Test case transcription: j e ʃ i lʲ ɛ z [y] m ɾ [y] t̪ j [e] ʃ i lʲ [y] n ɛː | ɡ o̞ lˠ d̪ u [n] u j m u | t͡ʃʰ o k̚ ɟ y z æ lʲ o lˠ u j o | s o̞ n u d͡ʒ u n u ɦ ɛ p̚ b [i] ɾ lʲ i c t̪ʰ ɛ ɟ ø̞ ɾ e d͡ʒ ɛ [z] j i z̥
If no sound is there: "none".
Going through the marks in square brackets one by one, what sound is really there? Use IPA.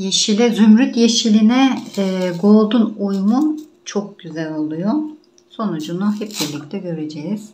y, y, e, i, n, i, none

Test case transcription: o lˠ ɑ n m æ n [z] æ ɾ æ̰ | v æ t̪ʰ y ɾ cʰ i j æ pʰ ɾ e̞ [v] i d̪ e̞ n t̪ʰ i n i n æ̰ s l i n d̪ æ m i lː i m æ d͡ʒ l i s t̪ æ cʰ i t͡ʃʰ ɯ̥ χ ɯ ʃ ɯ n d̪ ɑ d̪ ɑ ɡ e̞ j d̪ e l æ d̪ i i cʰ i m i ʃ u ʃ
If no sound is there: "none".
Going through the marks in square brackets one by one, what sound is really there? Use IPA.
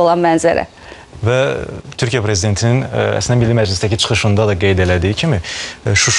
z, z

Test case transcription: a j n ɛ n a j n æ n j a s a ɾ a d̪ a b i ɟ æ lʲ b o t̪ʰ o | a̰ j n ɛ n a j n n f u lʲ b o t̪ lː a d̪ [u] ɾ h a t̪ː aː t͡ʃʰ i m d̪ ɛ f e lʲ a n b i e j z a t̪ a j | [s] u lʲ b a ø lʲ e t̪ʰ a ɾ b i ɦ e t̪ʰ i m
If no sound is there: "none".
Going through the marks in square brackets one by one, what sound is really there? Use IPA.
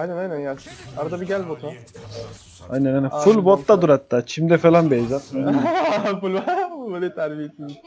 u, f

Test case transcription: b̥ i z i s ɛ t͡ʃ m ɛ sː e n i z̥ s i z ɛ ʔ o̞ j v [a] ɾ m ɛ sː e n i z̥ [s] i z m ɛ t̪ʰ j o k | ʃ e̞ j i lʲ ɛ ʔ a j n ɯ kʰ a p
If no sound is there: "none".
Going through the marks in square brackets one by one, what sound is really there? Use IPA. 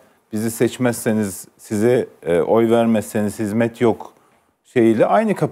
æ, h

